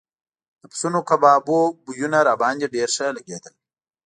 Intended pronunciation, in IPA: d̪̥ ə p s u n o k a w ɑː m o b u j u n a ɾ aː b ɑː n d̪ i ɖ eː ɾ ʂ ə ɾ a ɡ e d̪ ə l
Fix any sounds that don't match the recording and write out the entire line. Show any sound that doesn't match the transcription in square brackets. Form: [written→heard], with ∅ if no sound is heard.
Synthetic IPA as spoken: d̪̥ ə p s u n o k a [w→b] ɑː [m→b] o b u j u n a ɾ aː b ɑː n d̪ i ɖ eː ɾ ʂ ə [ɾ→l] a ɡ e d̪ ə l

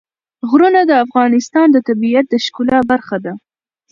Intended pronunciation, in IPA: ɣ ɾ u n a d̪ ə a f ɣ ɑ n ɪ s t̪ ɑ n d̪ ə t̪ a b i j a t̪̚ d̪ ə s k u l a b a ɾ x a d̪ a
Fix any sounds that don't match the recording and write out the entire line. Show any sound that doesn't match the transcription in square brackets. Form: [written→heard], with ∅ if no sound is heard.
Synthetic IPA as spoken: ɣ ɾ u n a d̪ ə a f ɣ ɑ n ɪ s t̪ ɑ n d̪ ə t̪ a b i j a t̪̚ d̪ ə [s→ʃ] k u l a b a ɾ x a d̪ a

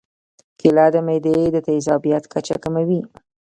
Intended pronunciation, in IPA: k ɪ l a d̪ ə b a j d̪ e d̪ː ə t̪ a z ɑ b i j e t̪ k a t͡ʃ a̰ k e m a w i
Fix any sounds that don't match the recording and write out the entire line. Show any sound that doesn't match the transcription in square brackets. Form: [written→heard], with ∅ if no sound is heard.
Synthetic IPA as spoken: k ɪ l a d̪ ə [b→m] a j d̪ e [d̪ː→d̪] ə t̪ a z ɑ b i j [e→a] t̪ k a t͡ʃ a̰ k [e→a] m a w i

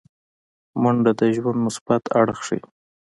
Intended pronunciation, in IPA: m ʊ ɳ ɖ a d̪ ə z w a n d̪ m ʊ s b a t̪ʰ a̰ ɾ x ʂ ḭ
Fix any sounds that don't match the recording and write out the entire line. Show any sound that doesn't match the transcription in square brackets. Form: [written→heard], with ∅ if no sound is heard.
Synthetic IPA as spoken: m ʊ ɳ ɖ a d̪ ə [z→ʒ] w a n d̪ m ʊ s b a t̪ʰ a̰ [ɾ→ɽ] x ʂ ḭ

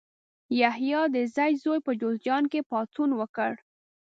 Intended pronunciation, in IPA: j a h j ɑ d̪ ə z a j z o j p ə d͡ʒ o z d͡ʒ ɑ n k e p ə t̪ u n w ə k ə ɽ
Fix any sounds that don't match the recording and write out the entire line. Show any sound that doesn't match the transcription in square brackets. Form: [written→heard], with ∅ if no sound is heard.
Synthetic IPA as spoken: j a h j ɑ d̪ ə z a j z o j p ə d͡ʒ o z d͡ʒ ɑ n k e p [ə→ɑ] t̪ u n w ə k ə ɽ

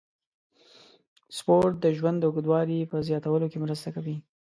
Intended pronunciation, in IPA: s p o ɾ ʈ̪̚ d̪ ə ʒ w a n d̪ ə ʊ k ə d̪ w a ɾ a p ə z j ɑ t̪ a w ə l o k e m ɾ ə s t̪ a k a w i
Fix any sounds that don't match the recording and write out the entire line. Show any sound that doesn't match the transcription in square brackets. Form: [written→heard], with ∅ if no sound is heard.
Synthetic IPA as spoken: s p o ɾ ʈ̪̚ d̪ ə ʒ w a n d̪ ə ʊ [k→ɡ] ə d̪ w [a→ɑ] ɾ [a→i] p ə z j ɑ t̪ a w ə l o k e m ɾ ə s t̪ a k a w i

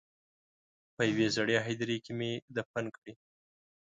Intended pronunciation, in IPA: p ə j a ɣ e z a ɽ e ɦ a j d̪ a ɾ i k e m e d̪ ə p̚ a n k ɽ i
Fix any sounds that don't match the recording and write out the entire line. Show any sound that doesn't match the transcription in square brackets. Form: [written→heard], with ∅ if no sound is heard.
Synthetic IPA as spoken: p ə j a [ɣ→w] e z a ɽ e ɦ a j d̪ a ɾ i k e m e d̪ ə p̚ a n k ɽ i

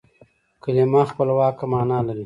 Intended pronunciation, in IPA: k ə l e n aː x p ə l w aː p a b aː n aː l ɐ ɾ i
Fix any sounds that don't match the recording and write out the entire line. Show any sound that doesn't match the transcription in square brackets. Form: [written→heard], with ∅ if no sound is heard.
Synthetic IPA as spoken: k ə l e [n→m] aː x p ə l w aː [p→k] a [b→m] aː n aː l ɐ ɾ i

